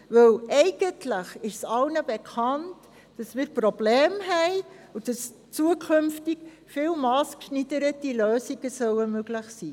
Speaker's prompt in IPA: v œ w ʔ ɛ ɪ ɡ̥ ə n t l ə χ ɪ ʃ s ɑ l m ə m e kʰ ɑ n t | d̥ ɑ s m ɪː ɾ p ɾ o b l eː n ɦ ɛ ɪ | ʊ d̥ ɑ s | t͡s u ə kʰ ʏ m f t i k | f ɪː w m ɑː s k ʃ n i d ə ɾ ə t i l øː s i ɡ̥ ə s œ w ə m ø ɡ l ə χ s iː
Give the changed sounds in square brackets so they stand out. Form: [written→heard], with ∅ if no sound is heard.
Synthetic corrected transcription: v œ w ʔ ɛ ɪ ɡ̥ ə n t l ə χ ɪ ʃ s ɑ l [m→n] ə [m→b] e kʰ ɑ n t | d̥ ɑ s m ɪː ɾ p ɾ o b l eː [n→m] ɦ ɛ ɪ | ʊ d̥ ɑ s | t͡s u ə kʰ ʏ m f t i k | f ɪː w m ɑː s k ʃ n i d ə ɾ ə t i l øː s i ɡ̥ ə s œ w ə m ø ɡ l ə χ s iː